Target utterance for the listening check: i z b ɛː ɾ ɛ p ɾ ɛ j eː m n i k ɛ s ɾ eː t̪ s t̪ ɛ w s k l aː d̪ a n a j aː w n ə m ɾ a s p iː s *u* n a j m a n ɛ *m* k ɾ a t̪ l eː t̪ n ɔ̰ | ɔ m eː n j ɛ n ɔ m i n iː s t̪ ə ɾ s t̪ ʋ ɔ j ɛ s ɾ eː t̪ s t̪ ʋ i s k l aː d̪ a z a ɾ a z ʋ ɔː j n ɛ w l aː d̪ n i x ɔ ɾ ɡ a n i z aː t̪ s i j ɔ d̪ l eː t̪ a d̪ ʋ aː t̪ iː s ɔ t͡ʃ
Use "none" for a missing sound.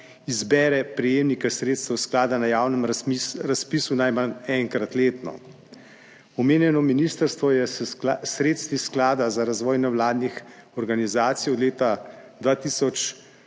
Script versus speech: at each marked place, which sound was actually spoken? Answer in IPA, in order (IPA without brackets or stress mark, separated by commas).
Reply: u, ŋ